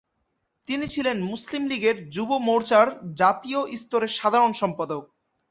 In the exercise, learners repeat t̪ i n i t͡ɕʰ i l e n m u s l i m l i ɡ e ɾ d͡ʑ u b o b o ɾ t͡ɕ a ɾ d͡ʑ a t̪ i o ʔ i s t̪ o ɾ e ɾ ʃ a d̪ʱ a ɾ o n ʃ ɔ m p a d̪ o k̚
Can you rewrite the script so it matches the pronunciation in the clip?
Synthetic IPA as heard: t̪ i n i t͡ɕʰ i l e n m u s l i m l i ɡ e ɾ d͡ʑ u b o m o ɾ t͡ɕ a ɾ d͡ʑ a t̪ i o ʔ i s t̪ o ɾ e ɾ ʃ a d̪ʱ a ɾ o n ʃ ɔ m p a d̪ o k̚